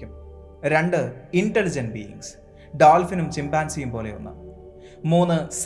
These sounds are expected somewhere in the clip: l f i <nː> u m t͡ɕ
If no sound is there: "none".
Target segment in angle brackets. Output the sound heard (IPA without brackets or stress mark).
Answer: n